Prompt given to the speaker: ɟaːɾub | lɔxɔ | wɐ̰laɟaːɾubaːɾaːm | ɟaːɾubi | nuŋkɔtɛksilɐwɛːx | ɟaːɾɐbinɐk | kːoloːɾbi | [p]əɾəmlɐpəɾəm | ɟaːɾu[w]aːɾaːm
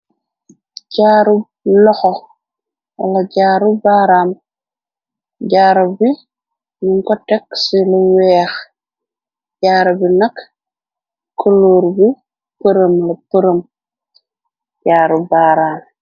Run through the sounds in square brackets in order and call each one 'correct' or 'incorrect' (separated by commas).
correct, incorrect